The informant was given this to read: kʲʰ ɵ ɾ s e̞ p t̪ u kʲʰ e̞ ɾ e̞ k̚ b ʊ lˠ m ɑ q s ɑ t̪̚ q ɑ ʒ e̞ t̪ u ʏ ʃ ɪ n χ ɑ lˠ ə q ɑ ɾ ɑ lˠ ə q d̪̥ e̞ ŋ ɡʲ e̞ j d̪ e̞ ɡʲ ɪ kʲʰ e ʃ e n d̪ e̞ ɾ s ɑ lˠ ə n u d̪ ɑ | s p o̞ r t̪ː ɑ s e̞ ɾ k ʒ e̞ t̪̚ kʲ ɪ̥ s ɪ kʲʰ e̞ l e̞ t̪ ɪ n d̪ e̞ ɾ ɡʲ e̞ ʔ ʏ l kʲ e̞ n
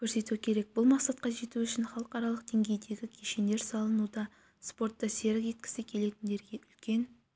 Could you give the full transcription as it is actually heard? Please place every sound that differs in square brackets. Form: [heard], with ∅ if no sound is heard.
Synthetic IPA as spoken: kʲʰ ɵ ɾ s e̞ [∅] t̪ u kʲʰ e̞ ɾ e̞ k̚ b ʊ lˠ m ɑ q s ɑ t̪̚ q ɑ ʒ e̞ t̪ u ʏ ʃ ɪ n χ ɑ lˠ ə q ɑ ɾ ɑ lˠ ə q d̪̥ e̞ ŋ ɡʲ e̞ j d̪ e̞ ɡʲ ɪ kʲʰ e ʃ e n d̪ e̞ ɾ s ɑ lˠ ə n u d̪ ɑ | s p o̞ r t̪ː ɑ s e̞ ɾ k ʒ e̞ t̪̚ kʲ ɪ̥ s ɪ kʲʰ e̞ l e̞ t̪ ɪ n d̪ e̞ ɾ ɡʲ e̞ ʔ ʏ l kʲ e̞ n

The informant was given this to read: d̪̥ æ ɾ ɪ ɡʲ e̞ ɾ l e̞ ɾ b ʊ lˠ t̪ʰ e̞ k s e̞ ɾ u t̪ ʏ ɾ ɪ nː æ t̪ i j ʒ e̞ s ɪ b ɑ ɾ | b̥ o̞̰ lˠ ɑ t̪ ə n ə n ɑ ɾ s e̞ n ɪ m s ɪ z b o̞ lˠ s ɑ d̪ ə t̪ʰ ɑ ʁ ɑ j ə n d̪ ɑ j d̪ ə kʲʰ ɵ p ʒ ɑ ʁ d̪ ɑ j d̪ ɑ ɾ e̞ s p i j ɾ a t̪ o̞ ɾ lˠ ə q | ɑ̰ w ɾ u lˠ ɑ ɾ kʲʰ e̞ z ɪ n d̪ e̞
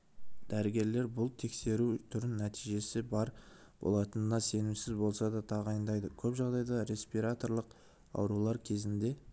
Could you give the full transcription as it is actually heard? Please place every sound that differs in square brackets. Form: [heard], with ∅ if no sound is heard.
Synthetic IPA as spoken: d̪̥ æ ɾ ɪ ɡʲ e̞ ɾ l e̞ ɾ b ʊ lˠ t̪ʰ e̞ k s e̞ ɾ u [t̪ʰ] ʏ ɾ ɪ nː æ t̪ i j ʒ e̞ s ɪ b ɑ ɾ | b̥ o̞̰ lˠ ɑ t̪ ə n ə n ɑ [∅] s e̞ n ɪ m s ɪ z b o̞ lˠ s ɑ d̪ [ɑ] t̪ʰ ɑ ʁ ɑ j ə n d̪ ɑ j d̪ ə kʲʰ ɵ p ʒ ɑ ʁ d̪ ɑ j d̪ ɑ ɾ e̞ s p i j ɾ a t̪ o̞ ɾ lˠ ə q | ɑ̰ w ɾ u lˠ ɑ ɾ kʲʰ e̞ z ɪ n d̪ e̞

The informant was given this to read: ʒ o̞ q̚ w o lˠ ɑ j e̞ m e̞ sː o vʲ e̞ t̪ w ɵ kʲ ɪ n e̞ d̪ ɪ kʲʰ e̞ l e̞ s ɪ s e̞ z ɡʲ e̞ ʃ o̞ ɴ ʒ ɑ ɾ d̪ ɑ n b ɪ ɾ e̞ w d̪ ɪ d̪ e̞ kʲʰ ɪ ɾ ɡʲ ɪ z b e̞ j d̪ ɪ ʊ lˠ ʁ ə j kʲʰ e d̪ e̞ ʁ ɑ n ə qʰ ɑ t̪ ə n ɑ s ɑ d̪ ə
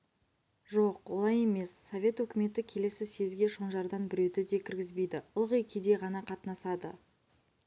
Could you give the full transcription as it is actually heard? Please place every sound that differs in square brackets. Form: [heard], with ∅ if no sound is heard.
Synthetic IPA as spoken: ʒ o̞ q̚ w o lˠ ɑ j e̞ m e̞ sː o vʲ e̞ t̪ w ɵ kʲ ɪ [m] e̞ [t̪] ɪ kʲʰ e̞ l e̞ s ɪ s e̞ z ɡʲ e̞ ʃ o̞ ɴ ʒ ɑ ɾ d̪ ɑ n b ɪ ɾ e̞ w d̪ ɪ d̪ e̞ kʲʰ ɪ ɾ ɡʲ ɪ z b e̞ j d̪ ɪ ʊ lˠ ʁ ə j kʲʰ e d̪ e̞ ʁ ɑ n [ɑ] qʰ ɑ t̪ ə n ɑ s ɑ d̪ ə

